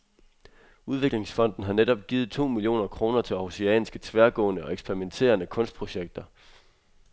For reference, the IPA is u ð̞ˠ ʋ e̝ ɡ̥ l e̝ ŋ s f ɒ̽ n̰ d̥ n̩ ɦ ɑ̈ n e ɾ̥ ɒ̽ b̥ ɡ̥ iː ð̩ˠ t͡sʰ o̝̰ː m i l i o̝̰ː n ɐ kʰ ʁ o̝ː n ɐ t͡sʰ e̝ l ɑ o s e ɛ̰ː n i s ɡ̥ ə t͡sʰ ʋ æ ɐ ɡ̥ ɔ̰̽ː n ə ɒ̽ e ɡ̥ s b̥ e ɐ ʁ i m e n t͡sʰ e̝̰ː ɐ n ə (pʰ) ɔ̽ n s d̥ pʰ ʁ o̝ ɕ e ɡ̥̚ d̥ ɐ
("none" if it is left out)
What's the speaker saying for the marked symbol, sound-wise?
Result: kʰ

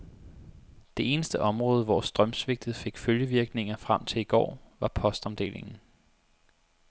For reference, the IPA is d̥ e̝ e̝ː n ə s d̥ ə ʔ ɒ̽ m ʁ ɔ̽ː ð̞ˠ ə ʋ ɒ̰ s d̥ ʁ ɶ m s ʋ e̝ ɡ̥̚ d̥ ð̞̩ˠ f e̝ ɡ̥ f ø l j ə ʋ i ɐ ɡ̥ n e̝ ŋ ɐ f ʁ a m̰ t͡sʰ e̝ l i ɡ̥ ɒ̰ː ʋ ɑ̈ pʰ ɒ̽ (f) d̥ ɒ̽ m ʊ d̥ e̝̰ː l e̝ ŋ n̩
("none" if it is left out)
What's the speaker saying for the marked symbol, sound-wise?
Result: s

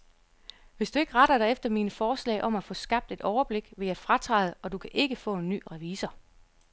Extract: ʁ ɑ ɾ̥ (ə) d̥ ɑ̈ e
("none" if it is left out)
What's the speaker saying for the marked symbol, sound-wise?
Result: ɐ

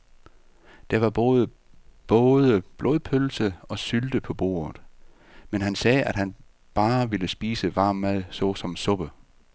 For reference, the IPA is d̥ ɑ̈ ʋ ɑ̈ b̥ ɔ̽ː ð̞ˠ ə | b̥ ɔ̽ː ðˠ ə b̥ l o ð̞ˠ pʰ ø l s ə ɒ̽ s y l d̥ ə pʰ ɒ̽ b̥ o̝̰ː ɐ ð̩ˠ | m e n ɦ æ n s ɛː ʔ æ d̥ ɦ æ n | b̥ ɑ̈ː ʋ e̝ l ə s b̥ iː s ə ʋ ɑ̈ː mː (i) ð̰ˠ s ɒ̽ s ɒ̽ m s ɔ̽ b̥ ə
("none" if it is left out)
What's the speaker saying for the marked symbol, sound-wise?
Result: æ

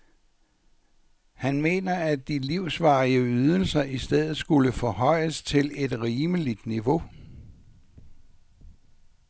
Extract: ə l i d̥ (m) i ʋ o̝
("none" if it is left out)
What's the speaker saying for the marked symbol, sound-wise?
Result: n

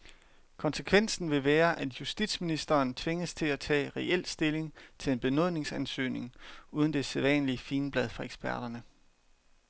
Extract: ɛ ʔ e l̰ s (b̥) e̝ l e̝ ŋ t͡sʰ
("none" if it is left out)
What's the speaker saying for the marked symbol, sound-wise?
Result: d̥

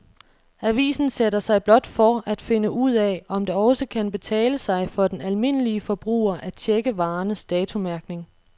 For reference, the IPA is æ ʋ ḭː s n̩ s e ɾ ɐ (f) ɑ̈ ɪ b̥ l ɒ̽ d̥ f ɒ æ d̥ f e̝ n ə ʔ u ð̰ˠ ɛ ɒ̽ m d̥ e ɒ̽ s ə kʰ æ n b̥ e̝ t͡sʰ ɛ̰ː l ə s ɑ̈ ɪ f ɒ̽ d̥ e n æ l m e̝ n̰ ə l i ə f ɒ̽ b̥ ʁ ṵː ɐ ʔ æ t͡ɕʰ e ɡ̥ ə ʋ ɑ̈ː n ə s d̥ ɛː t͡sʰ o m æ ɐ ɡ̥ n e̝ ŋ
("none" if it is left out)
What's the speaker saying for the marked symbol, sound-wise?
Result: s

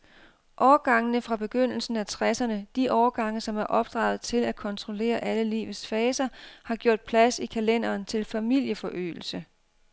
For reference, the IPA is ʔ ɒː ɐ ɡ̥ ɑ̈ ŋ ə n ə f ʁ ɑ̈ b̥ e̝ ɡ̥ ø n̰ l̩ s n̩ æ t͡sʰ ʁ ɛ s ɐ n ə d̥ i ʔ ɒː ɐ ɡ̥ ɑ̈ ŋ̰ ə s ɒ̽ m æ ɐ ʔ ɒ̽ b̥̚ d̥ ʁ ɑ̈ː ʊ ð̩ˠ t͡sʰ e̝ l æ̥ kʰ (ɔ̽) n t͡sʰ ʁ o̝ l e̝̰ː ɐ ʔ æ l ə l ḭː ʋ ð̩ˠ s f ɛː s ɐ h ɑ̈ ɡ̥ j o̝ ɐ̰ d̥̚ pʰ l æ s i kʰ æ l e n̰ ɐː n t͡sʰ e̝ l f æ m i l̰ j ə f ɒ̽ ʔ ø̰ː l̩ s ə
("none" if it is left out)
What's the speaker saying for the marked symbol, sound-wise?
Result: ɒ̽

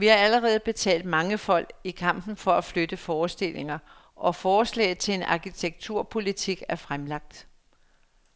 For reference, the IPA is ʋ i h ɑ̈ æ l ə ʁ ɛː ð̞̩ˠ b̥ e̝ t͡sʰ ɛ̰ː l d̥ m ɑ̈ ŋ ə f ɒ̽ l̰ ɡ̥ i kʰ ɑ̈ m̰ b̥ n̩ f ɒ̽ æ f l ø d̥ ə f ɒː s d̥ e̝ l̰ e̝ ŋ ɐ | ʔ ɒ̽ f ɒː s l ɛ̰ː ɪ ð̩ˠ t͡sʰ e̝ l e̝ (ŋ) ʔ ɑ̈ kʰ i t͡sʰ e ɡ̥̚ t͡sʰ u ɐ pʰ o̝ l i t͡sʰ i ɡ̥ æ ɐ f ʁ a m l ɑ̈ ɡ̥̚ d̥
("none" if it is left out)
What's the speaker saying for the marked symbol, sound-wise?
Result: n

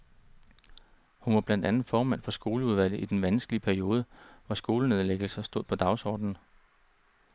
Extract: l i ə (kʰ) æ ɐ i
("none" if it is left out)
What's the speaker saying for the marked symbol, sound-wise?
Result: pʰ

